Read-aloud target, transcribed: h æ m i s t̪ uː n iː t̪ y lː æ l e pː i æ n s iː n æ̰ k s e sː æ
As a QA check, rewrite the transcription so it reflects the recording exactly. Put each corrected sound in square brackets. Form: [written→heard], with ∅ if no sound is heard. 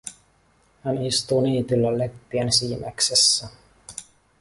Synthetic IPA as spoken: h æ [m→n] i s t̪ uː n iː t̪ y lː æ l e pː i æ n s iː [n→m] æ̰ k s e sː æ